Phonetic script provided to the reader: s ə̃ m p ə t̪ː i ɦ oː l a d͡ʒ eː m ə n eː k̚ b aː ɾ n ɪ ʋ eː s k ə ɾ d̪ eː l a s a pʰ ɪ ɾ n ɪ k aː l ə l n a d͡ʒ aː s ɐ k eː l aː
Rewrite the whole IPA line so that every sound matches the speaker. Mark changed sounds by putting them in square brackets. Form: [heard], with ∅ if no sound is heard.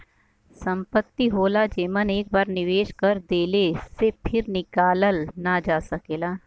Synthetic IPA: s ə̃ m p ə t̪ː i ɦ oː l a d͡ʒ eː m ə n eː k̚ b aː ɾ n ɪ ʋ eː [ʃ] k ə ɾ d̪ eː l [e] s [e] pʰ ɪ ɾ n ɪ k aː l ə l n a d͡ʒ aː s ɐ k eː l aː